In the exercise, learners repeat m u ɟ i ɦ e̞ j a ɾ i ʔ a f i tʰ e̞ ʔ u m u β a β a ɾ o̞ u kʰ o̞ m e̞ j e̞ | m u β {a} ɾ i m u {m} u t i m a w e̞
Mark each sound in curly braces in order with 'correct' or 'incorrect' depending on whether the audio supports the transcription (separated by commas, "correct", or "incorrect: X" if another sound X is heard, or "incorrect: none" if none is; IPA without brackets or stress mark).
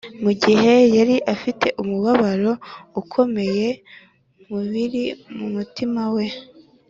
incorrect: i, correct